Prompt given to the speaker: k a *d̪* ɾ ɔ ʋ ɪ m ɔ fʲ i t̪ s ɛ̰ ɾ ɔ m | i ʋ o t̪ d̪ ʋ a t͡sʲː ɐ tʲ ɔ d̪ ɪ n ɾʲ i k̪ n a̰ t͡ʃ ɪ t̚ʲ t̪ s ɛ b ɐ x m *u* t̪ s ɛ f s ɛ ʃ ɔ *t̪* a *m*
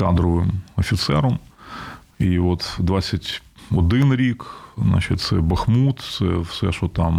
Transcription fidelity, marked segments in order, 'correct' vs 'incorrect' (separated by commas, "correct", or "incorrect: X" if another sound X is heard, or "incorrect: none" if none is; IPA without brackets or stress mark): correct, correct, correct, correct